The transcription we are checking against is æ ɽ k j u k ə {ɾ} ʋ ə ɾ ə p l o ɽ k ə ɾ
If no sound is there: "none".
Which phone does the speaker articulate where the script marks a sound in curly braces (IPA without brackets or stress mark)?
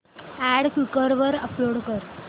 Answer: ɾ